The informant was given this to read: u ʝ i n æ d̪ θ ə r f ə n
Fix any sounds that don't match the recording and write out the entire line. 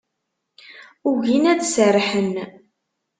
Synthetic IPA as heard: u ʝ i n æ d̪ s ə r ħ ə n

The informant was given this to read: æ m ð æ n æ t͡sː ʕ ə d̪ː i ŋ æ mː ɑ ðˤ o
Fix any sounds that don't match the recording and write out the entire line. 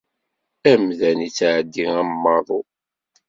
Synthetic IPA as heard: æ m ð æ n i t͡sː ʕ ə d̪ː i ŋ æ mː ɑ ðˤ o

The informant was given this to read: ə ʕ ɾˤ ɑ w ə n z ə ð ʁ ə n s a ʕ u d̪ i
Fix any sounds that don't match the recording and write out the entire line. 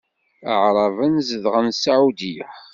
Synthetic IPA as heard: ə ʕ ɾˤ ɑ v ə n z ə ð ʁ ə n s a ʕ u d̪ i

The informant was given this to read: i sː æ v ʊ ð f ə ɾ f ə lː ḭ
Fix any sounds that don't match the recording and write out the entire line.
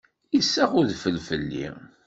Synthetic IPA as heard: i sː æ ʁ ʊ ð f ə l f ə lː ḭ

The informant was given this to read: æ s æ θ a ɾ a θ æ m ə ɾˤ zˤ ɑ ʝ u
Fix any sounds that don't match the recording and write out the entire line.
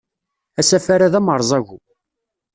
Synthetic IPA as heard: æ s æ f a ɾ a ð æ m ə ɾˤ zˤ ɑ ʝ u

